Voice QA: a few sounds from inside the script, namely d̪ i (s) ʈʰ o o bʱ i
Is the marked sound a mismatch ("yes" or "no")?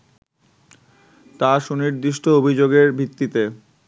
yes